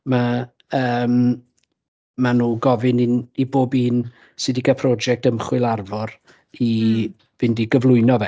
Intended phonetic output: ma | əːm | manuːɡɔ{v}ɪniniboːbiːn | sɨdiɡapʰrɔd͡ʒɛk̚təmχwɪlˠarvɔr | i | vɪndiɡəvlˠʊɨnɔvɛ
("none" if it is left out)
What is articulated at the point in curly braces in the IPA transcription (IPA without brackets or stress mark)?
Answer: v